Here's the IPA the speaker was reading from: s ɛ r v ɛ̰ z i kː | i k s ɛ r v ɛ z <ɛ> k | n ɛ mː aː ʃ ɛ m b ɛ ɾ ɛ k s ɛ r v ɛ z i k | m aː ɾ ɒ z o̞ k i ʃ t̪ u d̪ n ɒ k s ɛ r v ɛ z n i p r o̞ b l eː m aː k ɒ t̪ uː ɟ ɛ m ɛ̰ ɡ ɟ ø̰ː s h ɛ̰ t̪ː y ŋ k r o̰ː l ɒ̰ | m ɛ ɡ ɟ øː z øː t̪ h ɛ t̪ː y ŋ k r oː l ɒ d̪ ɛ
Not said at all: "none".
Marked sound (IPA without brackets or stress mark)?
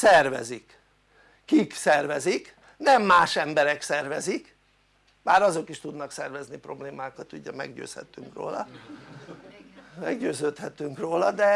i